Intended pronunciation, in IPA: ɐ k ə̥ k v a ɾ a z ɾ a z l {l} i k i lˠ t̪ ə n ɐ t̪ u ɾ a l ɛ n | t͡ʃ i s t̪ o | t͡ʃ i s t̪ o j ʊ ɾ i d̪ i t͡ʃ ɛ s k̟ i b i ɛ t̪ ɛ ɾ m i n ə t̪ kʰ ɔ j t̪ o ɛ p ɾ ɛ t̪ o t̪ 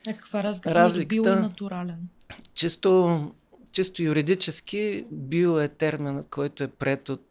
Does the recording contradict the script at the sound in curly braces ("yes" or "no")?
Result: no